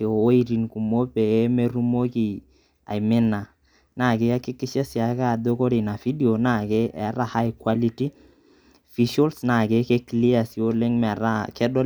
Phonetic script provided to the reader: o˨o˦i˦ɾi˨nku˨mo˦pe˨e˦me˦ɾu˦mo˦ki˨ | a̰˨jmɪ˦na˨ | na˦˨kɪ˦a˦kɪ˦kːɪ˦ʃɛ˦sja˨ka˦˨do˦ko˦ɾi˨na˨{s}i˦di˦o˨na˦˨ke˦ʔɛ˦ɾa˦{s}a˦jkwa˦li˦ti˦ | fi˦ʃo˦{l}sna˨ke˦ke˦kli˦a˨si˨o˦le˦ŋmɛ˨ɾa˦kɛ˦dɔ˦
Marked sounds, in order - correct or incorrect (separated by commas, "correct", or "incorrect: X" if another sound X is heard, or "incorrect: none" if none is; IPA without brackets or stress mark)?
incorrect: f, incorrect: h, correct